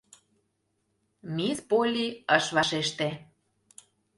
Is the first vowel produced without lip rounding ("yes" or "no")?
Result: yes